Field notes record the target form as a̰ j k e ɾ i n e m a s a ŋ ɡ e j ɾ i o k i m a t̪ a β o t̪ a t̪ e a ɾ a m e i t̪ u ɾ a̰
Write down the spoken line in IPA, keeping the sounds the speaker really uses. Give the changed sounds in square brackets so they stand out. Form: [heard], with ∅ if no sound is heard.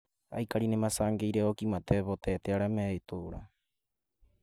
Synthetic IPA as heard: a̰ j k [a] ɾ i n e m a s a ŋ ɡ e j ɾ [e] o k i m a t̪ [e] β o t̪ [e] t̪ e a ɾ a m e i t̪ u ɾ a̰